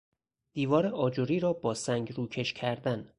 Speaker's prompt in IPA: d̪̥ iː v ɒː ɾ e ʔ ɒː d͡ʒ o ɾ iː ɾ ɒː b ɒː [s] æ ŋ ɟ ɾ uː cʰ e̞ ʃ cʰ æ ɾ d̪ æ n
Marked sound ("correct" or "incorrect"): correct